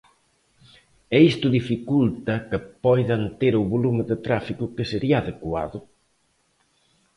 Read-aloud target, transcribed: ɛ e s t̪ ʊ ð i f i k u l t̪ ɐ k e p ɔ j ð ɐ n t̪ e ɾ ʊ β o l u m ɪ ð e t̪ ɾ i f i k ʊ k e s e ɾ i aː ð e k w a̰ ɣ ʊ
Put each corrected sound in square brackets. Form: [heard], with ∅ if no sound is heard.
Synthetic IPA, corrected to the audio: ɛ [i] s t̪ ʊ ð i f i k u l t̪ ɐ k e p ɔ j ð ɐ n t̪ e ɾ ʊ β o l u m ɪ ð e t̪ ɾ [a] f i k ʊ k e s e ɾ i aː ð e k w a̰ [ð] ʊ